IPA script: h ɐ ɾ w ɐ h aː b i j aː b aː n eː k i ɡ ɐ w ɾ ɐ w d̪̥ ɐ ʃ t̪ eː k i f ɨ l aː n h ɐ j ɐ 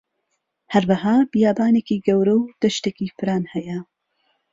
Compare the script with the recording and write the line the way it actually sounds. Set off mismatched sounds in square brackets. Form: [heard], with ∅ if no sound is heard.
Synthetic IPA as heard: h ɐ ɾ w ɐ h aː b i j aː b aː n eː k i ɡ ɐ w ɾ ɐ w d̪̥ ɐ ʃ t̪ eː k i f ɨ [ɾ] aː n h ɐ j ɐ